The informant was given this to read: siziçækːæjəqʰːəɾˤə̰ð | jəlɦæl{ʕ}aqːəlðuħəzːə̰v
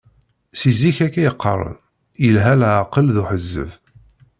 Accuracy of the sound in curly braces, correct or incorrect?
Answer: correct